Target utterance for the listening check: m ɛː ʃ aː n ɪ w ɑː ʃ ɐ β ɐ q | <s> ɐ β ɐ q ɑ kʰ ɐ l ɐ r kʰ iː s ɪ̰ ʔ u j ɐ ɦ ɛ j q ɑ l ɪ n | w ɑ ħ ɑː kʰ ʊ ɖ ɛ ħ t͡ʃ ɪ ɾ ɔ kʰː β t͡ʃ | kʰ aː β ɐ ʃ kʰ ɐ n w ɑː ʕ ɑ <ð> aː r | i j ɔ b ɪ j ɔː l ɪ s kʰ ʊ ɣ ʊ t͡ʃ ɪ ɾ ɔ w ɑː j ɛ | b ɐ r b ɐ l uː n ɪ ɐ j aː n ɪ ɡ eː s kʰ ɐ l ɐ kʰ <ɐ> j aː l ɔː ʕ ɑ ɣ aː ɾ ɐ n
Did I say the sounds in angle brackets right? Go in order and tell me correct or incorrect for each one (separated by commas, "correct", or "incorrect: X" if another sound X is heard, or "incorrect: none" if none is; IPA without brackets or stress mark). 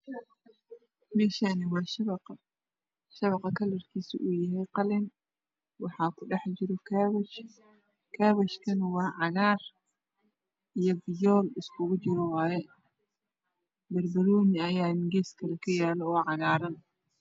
incorrect: ʃ, incorrect: ɣ, correct